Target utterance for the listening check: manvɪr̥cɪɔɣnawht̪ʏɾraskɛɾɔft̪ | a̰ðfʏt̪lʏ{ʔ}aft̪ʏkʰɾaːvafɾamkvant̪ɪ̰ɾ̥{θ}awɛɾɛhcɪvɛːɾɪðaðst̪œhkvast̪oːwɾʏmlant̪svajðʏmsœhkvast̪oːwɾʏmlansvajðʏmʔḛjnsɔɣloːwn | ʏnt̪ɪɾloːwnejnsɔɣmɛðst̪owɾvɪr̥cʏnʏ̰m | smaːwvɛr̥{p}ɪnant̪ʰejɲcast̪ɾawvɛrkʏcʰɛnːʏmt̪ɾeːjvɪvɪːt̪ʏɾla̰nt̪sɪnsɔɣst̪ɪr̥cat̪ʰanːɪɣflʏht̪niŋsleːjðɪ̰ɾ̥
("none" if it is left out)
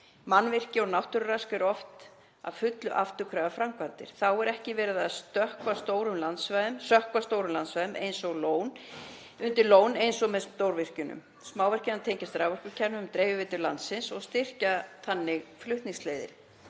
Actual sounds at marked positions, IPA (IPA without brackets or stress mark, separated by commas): ʔ, θ, c